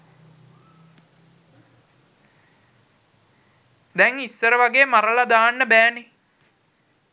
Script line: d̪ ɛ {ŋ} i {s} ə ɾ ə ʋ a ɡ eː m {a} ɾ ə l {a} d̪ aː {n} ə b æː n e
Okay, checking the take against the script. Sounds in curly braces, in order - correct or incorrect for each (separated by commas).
correct, incorrect, correct, correct, incorrect